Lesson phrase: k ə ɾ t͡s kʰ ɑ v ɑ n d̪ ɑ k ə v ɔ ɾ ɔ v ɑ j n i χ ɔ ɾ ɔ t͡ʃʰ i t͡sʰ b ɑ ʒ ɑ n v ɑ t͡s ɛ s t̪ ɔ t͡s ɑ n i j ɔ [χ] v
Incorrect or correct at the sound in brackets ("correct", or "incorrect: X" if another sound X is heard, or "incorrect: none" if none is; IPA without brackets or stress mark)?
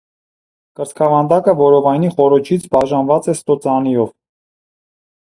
incorrect: none